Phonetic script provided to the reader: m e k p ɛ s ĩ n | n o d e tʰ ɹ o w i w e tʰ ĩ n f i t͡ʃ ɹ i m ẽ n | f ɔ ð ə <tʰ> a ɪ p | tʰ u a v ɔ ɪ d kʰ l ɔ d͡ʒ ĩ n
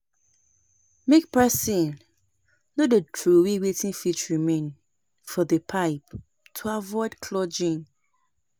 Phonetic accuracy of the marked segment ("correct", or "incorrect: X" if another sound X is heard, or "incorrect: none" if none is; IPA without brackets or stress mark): incorrect: pʰ